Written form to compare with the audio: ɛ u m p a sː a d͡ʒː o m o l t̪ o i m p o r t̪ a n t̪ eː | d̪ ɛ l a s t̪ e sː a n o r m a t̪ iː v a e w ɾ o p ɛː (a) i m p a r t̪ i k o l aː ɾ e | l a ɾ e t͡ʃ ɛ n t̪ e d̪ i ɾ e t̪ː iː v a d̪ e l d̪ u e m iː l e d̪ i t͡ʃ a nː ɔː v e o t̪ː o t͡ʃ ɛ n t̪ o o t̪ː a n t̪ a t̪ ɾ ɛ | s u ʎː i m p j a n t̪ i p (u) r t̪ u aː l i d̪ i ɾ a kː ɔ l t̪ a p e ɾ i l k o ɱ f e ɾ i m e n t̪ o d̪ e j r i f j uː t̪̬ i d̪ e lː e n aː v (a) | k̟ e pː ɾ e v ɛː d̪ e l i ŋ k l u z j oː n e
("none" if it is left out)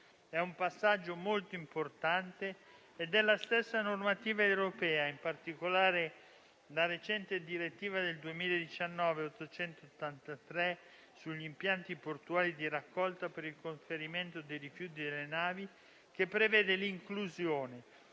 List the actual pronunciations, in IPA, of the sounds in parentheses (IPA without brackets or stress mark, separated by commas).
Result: a, o, i